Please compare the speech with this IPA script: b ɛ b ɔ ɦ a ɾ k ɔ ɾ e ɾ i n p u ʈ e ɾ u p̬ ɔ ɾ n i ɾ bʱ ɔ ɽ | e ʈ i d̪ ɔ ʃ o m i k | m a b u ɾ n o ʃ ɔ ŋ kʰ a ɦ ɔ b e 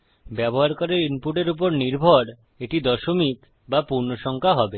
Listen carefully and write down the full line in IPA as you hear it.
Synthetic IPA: b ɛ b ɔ ɦ a ɾ k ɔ ɾ e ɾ i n p u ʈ e ɾ u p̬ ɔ ɾ n i ɾ bʱ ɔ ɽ | e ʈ i d̪ ɔ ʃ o m i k | b a p u ɾ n o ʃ ɔ ŋ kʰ a ɦ ɔ b e